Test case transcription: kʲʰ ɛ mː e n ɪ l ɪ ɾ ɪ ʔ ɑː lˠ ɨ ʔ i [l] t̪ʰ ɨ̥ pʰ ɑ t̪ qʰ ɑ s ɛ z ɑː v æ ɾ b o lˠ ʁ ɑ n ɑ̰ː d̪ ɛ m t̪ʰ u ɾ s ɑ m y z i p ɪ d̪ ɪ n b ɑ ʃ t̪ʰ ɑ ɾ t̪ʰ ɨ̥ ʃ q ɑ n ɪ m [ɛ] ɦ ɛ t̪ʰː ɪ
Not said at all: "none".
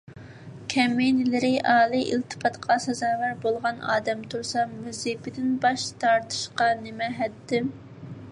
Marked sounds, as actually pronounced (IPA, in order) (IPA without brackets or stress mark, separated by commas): l, ɛ